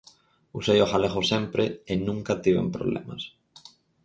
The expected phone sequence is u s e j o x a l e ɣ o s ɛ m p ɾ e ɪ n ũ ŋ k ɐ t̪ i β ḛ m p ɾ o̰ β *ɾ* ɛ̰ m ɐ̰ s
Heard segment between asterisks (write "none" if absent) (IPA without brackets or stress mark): l